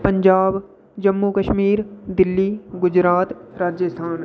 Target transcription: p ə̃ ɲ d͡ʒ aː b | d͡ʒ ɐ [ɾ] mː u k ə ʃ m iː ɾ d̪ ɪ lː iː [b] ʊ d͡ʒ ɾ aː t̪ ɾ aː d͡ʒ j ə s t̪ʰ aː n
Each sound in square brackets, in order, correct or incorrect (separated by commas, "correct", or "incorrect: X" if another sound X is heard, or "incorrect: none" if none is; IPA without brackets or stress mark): incorrect: none, incorrect: ɡ